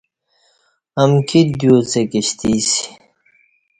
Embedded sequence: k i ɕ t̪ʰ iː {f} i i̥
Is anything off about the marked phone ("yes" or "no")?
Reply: yes